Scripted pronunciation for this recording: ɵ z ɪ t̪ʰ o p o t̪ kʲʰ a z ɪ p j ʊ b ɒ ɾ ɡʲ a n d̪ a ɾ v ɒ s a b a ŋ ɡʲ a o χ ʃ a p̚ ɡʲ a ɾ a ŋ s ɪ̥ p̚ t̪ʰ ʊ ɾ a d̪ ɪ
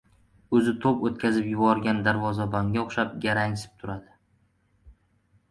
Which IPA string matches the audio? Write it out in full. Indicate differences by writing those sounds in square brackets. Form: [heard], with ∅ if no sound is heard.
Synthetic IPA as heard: ɵ z ɪ t̪ʰ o p o t̪ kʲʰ a z ɪ p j ʊ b ɒ ɾ ɡʲ a n d̪ a ɾ v ɒ [z] a b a ŋ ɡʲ a o χ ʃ a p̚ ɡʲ a ɾ a ŋ s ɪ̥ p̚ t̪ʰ ʊ ɾ a d̪ ɪ